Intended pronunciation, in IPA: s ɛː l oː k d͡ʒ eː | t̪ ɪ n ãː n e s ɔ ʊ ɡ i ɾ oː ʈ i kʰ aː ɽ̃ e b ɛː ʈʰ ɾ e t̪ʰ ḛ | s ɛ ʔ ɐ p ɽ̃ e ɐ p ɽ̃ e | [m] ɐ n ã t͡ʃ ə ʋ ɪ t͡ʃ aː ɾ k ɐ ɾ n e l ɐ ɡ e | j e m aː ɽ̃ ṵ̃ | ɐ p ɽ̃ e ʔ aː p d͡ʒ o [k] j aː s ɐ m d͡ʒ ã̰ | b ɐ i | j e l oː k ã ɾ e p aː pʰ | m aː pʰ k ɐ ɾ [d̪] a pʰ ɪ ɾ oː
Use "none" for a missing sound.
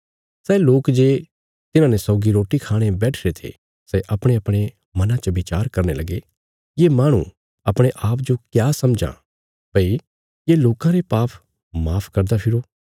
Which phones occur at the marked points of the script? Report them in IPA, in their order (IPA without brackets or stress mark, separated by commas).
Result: m, k, d̪